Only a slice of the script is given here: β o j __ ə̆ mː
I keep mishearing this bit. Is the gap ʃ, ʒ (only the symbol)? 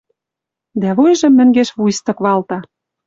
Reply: ʒ